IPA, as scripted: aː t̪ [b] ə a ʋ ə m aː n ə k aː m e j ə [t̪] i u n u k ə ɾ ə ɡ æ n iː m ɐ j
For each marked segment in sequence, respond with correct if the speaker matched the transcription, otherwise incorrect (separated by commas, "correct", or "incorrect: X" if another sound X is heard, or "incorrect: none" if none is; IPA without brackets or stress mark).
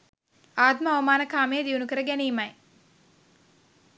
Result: incorrect: m, incorrect: d̪